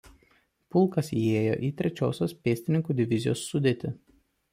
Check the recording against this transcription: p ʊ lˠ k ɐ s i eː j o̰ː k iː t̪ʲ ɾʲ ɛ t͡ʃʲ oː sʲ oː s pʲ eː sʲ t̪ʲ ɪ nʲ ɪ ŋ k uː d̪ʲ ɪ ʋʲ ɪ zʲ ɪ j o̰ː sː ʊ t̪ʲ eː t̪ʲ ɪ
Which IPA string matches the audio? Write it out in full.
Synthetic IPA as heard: p ʊ lˠ k ɐ s i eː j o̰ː ʔ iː t̪ʲ ɾʲ ɛ t͡ʃʲ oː sʲ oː s pʲ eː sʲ t̪ʲ ɪ nʲ ɪ ŋ k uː d̪ʲ ɪ ʋʲ ɪ zʲ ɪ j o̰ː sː ʊ d̪ʲ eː t̪ʲ ɪ